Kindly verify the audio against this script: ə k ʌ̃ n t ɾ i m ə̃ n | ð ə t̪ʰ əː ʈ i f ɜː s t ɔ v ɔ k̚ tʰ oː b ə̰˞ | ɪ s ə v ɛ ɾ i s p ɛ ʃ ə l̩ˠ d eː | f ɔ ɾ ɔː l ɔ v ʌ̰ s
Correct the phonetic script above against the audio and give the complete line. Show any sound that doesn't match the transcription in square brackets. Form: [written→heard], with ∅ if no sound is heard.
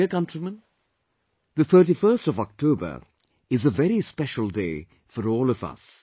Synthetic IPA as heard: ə k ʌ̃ n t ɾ i m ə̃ n | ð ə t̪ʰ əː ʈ i f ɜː s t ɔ v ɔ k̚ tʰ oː b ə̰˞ | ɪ [s→z] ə v ɛ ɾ i s p ɛ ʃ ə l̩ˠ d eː | f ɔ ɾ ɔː l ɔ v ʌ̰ s